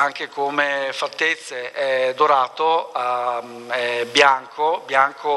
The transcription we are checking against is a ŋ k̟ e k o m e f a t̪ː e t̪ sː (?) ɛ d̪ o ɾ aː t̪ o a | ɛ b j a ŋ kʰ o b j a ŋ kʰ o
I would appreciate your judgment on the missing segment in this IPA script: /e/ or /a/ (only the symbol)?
e